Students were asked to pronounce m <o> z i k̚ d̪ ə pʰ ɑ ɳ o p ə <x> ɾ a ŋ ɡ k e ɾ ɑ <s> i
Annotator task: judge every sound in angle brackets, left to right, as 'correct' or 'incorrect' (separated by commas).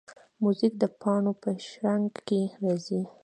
incorrect, incorrect, incorrect